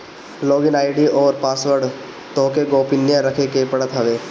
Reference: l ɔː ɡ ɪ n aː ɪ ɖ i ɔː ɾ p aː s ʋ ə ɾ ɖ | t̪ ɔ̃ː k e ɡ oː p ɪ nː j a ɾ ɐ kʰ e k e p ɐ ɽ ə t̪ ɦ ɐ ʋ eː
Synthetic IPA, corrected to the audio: l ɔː ɡ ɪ n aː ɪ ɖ i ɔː ɾ p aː s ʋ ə ɾ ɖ | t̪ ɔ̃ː k e ɡ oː p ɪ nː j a ɾ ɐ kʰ e k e p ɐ ɽ ə t̪ ɦ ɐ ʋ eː

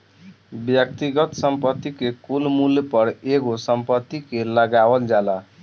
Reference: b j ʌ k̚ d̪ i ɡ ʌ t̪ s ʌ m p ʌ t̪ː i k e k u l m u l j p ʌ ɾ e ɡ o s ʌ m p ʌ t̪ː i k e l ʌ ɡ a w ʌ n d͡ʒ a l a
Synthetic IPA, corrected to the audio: b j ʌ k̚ t̪ i ɡ ʌ t̪ s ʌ m p ʌ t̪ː i k e k u l m u l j p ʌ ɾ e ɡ o s ʌ m p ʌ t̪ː i k e l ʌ ɡ a w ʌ n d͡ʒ a l a

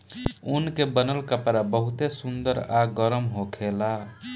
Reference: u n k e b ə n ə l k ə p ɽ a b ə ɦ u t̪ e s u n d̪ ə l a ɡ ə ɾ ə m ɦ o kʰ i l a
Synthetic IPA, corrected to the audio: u n k e b ə n ə l k ə p ɾ a b ə ɦ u t̪ e s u n d̪ ə ɾ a ɡ ə ɾ ə m ɦ o kʰ e l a

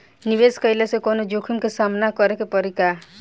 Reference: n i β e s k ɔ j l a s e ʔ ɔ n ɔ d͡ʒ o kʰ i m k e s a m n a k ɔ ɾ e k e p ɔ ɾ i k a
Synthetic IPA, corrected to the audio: n i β e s k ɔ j l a s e k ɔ n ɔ d͡ʒ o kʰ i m k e s a m n a k ɔ ɾ e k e p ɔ ɾ i k a

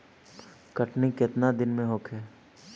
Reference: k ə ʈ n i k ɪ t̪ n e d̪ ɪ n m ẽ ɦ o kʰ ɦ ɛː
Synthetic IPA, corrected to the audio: k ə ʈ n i k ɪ t̪ n a d̪ ɪ n m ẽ ɦ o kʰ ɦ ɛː

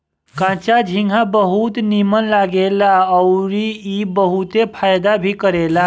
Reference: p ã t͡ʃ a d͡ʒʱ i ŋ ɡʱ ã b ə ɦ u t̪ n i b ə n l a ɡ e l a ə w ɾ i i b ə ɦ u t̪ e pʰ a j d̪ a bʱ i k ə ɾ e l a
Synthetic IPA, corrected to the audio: k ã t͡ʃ a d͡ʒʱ i ŋ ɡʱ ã b ə ɦ u t̪ n i m ə n l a ɡ e l a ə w ɾ i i b ə ɦ u t̪ e pʰ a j d̪ a bʱ i k ə ɾ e l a

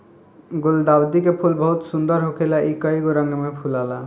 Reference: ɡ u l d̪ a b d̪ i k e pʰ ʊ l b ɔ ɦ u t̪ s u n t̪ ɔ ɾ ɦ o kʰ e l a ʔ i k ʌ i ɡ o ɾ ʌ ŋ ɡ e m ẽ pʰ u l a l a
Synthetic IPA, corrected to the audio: ɡ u l d̪ a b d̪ i k e pʰ u l b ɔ ɦ u t̪ s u n d̪ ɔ ɾ ɦ o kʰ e l a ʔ i k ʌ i ɡ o ɾ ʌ ŋ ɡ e m e pʰ u l a l a

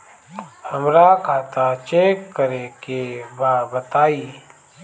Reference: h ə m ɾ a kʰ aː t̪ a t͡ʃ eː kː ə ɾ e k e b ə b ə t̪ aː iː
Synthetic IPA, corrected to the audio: h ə m ɾ a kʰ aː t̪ a t͡ʃ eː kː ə ɾ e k e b a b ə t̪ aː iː

